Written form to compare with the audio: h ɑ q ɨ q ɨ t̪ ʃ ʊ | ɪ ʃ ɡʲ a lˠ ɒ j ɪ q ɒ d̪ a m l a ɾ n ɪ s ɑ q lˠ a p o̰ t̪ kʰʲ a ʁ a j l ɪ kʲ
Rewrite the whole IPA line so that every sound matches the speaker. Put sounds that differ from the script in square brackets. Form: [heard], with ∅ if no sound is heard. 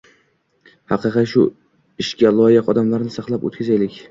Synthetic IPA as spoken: h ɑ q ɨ q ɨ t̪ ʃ ʊ | ɪ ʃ [kʲ] a lˠ ɒ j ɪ q ɒ d̪ a m l a ɾ n ɪ s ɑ q lˠ a p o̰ t̪ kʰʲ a [z] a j l ɪ kʲ

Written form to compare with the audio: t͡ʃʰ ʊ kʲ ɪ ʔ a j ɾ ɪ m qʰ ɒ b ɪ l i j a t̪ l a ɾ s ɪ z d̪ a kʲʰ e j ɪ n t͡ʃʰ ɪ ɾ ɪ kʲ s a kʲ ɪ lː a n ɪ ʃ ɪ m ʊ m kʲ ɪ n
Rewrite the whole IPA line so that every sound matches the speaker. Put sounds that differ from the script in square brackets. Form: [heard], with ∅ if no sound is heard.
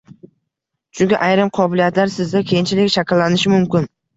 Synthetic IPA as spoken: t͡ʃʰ ʊ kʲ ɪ ʔ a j ɾ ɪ m qʰ ɒ b ɪ l i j a t̪ l a ɾ s ɪ z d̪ a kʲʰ e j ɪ n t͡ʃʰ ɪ [l] ɪ kʲ [ʃ] a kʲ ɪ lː a n ɪ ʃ ɪ m ʊ m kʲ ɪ n

